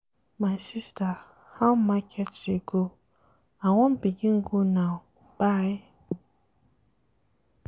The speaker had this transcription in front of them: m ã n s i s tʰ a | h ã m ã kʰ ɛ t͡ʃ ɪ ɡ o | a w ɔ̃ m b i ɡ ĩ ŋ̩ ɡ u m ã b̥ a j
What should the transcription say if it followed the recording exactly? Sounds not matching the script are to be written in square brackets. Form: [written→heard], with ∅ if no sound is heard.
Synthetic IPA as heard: m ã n s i s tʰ a | h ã m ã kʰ ɛ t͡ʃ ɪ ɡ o | a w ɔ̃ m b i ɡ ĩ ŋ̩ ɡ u [m→n] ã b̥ a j